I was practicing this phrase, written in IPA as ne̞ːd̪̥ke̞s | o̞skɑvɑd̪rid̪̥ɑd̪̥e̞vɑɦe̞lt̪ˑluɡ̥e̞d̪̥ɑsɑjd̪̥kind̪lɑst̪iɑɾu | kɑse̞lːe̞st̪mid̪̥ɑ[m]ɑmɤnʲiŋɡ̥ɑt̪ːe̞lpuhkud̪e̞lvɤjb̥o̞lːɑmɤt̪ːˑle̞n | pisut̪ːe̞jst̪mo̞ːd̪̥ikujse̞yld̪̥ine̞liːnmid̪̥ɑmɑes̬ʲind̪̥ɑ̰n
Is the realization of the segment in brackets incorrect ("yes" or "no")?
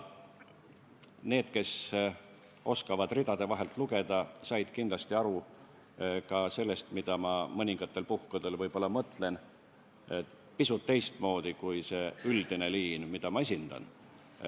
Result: no